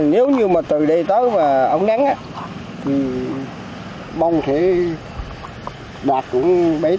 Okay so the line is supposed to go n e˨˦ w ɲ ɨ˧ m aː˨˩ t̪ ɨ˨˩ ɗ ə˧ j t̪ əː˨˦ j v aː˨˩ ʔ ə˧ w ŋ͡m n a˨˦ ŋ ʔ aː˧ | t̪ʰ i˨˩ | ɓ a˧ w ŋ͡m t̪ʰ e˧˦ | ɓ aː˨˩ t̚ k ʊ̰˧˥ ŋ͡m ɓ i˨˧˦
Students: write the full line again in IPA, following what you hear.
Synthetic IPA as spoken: n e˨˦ w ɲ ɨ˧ m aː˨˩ t̪ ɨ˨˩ ɗ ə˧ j t̪ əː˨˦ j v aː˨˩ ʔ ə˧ w ŋ͡m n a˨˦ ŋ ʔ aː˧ | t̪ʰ i˨˩ | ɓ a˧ w ŋ͡m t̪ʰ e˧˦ | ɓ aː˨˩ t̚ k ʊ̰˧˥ ŋ͡m ɓ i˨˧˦